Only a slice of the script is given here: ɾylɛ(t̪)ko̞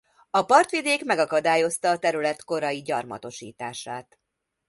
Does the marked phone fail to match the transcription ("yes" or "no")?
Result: no